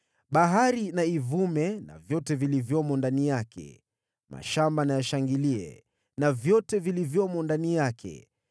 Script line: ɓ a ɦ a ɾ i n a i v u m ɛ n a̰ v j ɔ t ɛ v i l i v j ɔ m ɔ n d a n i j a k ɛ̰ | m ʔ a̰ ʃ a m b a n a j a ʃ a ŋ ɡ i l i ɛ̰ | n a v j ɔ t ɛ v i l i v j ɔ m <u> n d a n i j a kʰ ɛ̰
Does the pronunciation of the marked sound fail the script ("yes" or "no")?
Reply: yes